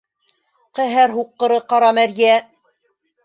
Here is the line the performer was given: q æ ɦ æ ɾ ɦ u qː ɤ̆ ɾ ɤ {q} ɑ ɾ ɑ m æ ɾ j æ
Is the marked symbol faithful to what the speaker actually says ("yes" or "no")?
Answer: yes